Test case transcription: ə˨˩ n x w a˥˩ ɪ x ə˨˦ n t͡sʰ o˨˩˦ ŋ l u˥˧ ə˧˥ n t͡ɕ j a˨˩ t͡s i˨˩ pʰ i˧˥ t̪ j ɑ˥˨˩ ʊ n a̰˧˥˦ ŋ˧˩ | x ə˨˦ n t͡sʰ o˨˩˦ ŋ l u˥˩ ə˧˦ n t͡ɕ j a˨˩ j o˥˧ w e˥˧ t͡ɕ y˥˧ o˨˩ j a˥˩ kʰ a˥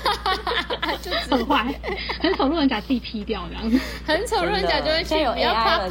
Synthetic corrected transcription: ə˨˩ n x w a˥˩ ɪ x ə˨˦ n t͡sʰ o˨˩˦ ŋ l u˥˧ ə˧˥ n t͡ɕ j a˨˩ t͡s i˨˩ pʰ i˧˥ t̪ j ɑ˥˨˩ ʊ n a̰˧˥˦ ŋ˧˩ | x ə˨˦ n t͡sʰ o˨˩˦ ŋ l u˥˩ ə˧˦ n t͡ɕ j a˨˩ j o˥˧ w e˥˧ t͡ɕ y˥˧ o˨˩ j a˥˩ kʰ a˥